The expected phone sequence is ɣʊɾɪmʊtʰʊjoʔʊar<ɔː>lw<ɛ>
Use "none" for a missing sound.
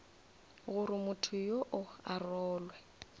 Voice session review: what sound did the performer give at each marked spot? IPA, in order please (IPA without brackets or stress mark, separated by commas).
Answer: ɔː, ɛ